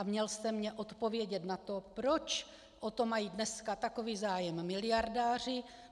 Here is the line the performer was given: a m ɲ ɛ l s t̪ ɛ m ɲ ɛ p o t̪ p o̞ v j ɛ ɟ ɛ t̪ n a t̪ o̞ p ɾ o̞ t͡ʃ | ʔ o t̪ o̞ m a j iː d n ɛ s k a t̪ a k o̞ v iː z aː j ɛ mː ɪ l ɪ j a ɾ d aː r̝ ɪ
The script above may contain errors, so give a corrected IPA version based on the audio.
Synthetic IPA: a m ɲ ɛ l s t̪ ɛ m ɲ ɛ ʔ o t̪ p o̞ v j ɛ ɟ ɛ t̪ n a t̪ o̞ p ɾ o̞ t͡ʃ | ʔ o t̪ o̞ m a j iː d n ɛ s k a t̪ a k o̞ v iː z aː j ɛ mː ɪ l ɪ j a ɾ d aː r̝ ɪ